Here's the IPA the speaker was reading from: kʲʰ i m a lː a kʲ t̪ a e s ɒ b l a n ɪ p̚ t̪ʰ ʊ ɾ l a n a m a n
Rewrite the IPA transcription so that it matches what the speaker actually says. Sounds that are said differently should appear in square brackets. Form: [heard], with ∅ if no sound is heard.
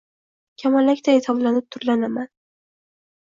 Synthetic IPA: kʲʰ [a] m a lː a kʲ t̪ a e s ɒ b l a n ɪ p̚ t̪ʰ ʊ ɾ l a n a m a n